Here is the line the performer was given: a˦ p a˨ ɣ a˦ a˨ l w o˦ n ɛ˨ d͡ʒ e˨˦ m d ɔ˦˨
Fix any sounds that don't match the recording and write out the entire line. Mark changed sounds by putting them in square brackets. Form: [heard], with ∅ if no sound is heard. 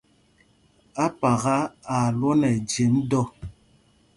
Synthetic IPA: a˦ p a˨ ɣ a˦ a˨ l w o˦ n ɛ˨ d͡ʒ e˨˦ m d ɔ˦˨